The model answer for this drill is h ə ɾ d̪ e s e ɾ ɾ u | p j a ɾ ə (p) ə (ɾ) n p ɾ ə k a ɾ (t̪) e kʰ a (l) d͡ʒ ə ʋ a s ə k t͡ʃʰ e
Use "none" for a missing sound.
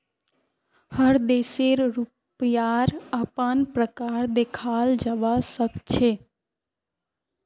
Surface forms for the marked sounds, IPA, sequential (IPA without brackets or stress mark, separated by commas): p, none, d̪, l